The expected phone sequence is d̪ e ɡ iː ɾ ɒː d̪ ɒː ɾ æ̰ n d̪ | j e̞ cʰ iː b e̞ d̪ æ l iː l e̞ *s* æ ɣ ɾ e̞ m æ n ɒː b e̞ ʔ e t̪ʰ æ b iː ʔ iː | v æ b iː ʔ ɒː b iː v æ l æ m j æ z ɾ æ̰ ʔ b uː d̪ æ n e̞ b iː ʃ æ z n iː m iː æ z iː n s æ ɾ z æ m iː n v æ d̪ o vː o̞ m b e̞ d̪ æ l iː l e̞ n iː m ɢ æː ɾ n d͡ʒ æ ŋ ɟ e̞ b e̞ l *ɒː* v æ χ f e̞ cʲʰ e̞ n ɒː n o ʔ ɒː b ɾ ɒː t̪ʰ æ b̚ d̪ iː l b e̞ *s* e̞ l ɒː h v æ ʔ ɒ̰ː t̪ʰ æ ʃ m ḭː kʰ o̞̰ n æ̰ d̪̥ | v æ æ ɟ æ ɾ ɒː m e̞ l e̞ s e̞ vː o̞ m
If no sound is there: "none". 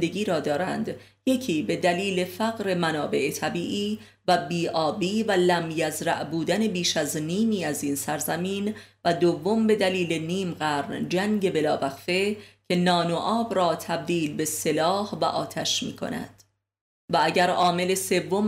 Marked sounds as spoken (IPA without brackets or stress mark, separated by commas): f, ɒː, s